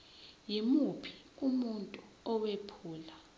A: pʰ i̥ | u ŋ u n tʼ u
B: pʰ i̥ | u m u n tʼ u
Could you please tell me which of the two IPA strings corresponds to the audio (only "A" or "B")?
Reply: B